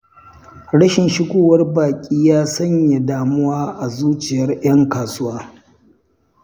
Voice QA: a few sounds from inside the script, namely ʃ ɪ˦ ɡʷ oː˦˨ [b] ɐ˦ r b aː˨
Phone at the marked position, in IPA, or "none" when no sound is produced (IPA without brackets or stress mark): w